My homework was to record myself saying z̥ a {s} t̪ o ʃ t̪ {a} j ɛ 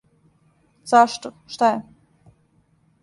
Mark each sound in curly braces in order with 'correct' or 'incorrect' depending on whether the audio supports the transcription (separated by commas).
incorrect, correct